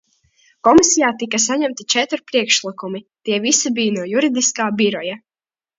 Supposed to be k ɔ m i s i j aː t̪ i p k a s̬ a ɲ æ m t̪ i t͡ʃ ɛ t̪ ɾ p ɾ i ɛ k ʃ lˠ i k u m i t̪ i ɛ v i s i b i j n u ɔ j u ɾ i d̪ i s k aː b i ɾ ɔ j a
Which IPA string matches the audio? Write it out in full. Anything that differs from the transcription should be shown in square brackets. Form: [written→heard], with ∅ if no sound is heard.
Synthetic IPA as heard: k ɔ m i s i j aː t̪ i [p→∅] k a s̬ a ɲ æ m t̪ i t͡ʃ ɛ t̪ ɾ p ɾ i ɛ k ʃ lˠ i k u m i t̪ i ɛ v i s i b i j n u ɔ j u ɾ i d̪ i s k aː b i ɾ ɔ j a